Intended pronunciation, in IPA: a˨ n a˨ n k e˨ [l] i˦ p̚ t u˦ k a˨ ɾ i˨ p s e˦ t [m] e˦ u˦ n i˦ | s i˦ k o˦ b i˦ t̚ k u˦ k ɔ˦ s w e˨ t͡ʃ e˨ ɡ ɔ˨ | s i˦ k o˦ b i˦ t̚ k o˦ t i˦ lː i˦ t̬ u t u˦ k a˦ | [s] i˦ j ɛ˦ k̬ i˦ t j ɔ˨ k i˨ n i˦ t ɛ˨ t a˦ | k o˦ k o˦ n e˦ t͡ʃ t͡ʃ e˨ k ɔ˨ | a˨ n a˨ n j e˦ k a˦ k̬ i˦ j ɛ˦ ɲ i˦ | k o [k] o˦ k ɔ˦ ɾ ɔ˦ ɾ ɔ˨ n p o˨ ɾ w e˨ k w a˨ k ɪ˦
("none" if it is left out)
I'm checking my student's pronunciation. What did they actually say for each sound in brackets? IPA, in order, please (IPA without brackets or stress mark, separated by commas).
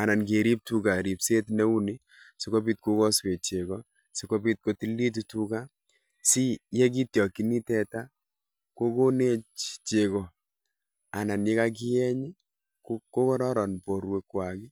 ɾ, n, s, k